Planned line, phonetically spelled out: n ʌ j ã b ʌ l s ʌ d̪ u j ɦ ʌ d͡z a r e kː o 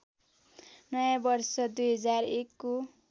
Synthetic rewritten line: n ʌ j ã b ʌ r s ʌ d̪ u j ɦ ʌ d͡z a r e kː o